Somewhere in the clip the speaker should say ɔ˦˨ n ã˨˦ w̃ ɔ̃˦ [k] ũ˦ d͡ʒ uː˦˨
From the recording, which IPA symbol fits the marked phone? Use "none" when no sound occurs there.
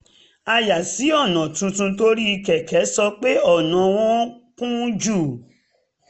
k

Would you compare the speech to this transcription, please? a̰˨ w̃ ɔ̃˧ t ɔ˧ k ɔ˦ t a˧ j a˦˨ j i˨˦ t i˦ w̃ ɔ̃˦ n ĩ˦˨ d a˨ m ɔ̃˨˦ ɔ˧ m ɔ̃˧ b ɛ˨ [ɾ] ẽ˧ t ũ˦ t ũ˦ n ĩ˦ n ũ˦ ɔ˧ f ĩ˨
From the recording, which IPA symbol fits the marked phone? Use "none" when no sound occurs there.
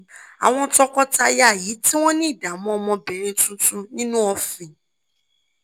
ɾ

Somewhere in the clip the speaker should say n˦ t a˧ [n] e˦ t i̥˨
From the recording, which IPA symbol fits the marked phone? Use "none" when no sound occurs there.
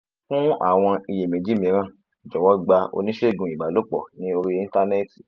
n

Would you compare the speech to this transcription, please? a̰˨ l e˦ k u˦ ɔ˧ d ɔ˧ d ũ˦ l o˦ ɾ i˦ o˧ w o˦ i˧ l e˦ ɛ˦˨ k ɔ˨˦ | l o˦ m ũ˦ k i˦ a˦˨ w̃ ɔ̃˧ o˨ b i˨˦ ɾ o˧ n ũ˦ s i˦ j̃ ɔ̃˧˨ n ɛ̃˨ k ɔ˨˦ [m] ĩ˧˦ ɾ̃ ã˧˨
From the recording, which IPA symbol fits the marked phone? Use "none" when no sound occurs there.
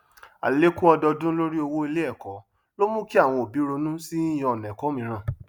m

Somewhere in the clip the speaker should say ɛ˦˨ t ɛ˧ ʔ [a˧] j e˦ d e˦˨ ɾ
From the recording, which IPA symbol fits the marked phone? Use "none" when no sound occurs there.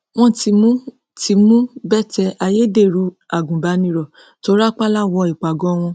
a˧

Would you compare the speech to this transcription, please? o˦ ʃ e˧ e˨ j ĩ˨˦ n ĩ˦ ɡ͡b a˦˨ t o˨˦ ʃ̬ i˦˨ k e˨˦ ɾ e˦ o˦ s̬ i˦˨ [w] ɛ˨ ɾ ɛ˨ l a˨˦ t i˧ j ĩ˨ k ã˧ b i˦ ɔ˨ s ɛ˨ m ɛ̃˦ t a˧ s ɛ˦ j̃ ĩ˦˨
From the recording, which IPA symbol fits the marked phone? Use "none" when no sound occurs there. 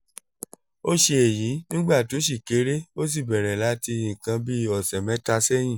b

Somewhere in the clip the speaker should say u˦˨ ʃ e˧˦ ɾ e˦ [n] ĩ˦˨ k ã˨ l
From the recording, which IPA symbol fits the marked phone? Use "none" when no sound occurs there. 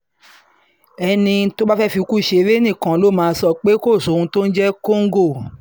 n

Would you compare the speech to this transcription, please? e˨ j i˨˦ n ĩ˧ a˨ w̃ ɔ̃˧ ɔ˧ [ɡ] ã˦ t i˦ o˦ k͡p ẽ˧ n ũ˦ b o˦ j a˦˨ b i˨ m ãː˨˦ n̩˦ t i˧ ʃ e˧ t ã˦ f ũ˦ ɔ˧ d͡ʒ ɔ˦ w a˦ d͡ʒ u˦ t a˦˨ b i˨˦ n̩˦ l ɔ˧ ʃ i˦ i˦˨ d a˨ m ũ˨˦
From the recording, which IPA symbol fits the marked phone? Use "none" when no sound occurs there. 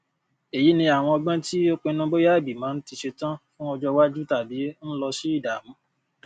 ɡ͡b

